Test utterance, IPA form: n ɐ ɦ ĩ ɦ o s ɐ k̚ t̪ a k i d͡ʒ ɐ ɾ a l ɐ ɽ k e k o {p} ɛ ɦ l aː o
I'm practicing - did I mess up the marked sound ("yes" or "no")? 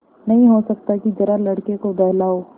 yes